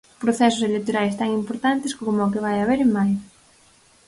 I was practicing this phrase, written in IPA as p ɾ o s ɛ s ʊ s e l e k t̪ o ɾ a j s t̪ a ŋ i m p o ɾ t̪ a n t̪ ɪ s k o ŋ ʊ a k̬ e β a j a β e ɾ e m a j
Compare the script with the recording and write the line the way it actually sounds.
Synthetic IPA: p ɾ o θ ɛ s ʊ s e l e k t̪ o ɾ a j s t̪ a ŋ i m p o ɾ t̪ a n t̪ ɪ s k o m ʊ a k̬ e β a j a β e ɾ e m a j